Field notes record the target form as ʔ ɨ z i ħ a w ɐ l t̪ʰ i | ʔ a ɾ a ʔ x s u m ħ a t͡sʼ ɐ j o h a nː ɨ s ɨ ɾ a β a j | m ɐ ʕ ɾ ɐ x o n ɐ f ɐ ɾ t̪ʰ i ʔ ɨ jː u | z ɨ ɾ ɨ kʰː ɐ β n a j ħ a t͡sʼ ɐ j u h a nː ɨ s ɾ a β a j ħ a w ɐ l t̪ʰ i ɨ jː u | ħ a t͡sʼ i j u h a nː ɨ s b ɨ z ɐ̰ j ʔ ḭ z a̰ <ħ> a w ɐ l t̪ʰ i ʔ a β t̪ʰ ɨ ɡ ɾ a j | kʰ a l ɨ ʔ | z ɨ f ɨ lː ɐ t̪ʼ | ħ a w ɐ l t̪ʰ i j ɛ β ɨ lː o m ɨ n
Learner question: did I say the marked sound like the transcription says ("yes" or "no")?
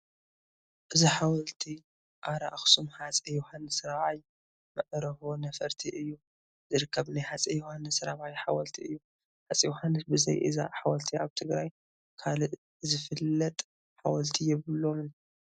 yes